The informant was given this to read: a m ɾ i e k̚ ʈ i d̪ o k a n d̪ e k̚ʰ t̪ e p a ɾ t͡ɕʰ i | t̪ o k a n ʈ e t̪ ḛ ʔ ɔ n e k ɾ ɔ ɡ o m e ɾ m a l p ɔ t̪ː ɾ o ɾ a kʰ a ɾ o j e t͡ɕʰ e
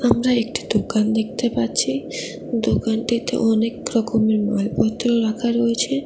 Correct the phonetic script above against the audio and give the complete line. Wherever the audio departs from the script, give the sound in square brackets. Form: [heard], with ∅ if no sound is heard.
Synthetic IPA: a m ɾ [a] e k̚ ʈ i d̪ o k a n d̪ e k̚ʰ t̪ e p a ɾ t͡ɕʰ i | [d̪] o k a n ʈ [i] t̪ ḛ ʔ ɔ n e k ɾ ɔ [k] o m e ɾ m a l p ɔ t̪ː ɾ o ɾ a kʰ a ɾ o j e t͡ɕʰ e